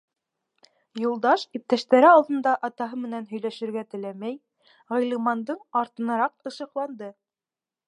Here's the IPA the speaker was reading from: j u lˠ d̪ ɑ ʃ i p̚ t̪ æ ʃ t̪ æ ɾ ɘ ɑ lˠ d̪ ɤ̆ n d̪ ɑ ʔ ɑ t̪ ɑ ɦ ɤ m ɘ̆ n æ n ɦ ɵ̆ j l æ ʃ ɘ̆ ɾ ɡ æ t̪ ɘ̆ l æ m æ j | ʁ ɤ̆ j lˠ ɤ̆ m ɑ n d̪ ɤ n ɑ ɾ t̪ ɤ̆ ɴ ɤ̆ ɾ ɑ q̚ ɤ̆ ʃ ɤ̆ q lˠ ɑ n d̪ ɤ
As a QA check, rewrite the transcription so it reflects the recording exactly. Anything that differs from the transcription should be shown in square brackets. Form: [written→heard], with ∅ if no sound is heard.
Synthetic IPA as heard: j u lˠ d̪ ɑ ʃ i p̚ t̪ æ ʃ t̪ æ ɾ ɘ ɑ lˠ d̪ ɤ̆ n d̪ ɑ ʔ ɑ t̪ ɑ ɦ ɤ m ɘ̆ n æ n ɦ ɵ̆ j l æ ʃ ɘ̆ ɾ ɡ æ t̪ ɘ̆ l æ m æ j | ʁ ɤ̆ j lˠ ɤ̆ m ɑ n d̪ ɤ [n→ɴ] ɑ ɾ t̪ ɤ̆ [ɴ→n] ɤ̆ ɾ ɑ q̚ ɤ̆ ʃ ɤ̆ q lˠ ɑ n d̪ ɤ

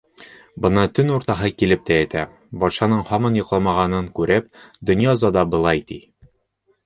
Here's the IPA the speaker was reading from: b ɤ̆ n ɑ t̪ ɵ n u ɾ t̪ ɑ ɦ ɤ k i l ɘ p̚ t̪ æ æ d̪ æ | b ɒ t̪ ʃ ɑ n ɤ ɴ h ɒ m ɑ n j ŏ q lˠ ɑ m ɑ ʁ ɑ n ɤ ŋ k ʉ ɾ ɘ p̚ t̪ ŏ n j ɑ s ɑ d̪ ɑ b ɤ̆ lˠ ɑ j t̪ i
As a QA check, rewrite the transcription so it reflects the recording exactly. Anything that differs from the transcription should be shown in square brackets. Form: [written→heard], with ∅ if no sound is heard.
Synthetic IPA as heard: b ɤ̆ n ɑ t̪ ɵ n u ɾ t̪ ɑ ɦ ɤ k i l ɘ p̚ t̪ æ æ [d̪→t̪] æ | b ɒ t̪ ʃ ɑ n ɤ ɴ h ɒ m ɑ n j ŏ q lˠ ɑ m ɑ ʁ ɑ n ɤ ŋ k ʉ ɾ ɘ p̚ [t̪→d̪] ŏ n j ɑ [s→z] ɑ d̪ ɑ b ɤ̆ lˠ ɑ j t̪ i

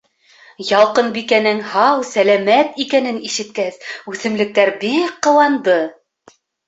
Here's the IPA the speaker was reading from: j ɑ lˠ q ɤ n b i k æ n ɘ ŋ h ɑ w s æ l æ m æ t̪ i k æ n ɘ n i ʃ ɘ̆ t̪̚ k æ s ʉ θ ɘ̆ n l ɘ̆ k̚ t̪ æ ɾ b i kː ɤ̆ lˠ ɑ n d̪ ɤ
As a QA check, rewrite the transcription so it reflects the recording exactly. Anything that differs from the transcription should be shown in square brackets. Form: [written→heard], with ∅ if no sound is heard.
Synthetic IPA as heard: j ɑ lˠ q ɤ n b i k æ n ɘ ŋ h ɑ w s æ l æ m æ t̪ i k æ n ɘ n i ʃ ɘ̆ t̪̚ k æ s ʉ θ ɘ̆ [n→m] l ɘ̆ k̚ t̪ æ ɾ b i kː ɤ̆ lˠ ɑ n d̪ ɤ

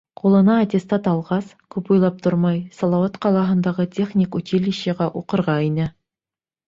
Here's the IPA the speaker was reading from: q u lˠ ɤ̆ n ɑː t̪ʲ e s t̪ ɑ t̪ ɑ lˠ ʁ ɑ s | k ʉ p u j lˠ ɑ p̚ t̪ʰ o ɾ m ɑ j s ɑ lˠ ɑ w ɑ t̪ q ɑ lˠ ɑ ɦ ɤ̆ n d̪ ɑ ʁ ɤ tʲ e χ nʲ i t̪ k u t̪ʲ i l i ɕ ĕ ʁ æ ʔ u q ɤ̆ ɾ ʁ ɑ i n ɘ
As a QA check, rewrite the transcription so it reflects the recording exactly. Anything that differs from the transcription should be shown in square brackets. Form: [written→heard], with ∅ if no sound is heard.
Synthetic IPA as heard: q u lˠ ɤ̆ n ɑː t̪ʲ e s t̪ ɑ t̪ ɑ lˠ ʁ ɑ s | k ʉ p u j lˠ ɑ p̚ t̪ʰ o ɾ m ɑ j s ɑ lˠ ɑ w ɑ t̪ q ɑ lˠ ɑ ɦ ɤ̆ n d̪ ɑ ʁ ɤ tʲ e χ nʲ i [t̪→∅] k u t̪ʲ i l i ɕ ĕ ʁ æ ʔ u q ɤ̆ ɾ ʁ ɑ i n ɘ

